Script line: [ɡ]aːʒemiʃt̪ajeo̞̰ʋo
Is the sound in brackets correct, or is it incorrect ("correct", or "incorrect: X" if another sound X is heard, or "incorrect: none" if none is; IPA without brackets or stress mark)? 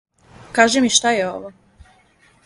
incorrect: k